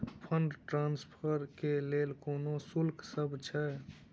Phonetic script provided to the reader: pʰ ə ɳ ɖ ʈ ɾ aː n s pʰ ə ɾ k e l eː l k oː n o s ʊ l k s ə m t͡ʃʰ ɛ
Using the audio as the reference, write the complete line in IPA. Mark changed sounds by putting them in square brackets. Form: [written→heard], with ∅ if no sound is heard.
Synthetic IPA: pʰ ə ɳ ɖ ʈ ɾ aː n s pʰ ə ɾ k e l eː l k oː n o s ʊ l k s ə [m→b] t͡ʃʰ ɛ